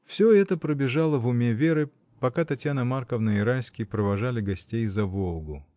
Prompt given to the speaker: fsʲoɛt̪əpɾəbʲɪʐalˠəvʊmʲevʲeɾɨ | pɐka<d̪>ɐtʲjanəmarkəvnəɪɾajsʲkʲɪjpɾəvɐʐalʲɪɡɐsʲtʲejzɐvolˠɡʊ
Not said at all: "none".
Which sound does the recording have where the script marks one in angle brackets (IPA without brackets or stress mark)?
t̪